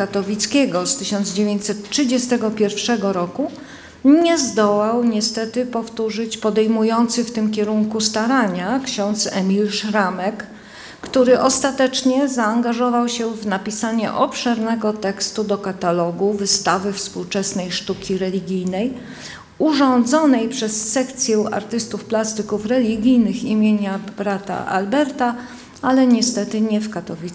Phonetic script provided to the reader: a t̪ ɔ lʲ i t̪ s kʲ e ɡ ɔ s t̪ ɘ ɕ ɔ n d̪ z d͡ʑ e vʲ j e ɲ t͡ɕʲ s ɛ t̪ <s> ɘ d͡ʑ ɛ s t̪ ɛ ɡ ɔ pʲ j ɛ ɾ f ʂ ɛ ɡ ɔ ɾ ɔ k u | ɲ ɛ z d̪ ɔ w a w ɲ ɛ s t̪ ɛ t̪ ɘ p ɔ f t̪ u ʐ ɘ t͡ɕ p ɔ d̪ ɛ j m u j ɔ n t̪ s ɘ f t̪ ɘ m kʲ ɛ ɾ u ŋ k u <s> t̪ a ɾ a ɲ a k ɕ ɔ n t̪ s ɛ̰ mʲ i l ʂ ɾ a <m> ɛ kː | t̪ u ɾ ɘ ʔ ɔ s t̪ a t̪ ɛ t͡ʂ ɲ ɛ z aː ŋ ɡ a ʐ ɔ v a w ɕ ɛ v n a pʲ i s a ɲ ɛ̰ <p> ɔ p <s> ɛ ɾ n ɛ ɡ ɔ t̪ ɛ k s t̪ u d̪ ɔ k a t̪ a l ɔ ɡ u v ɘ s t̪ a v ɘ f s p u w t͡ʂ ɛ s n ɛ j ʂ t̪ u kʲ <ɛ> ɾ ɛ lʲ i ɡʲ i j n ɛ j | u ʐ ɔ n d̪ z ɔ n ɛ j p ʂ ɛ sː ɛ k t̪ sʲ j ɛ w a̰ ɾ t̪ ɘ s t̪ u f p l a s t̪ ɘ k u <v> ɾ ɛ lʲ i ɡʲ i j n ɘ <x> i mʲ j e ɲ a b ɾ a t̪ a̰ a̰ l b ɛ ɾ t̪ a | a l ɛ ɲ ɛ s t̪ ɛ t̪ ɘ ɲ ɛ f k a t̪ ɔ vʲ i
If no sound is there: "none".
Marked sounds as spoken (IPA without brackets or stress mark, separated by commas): ʂ, s, m, ʔ, ʂ, i, f, x